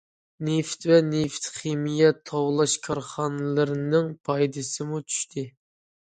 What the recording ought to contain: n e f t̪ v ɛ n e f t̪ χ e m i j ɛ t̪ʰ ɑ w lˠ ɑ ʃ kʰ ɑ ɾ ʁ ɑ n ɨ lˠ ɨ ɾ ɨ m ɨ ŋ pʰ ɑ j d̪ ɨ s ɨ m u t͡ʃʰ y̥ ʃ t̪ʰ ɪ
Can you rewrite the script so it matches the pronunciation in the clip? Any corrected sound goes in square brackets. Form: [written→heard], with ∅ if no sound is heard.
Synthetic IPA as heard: n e f t̪ v ɛ n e f t̪ χ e m i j ɛ t̪ʰ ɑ w lˠ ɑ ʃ kʰ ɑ ɾ [ʁ→χ] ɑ n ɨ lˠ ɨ ɾ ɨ [m→n] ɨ ŋ pʰ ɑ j d̪ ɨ s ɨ m u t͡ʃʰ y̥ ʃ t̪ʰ ɪ